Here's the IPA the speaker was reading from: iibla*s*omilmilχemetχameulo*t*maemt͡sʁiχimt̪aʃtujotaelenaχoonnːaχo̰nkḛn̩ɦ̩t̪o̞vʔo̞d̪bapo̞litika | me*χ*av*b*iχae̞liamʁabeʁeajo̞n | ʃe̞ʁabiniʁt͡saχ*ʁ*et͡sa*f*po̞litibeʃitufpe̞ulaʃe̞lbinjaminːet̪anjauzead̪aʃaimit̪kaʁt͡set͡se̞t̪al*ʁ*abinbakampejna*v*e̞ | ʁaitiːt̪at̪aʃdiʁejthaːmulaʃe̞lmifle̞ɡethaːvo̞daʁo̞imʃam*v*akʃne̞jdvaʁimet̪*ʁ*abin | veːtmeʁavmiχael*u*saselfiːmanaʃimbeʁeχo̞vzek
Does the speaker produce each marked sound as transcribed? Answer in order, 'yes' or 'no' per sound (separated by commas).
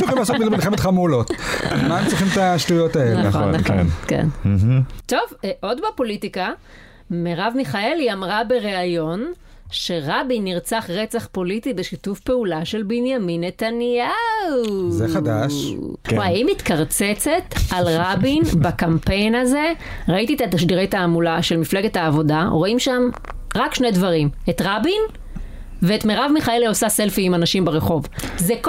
yes, yes, no, no, yes, no, yes, no, no, yes, no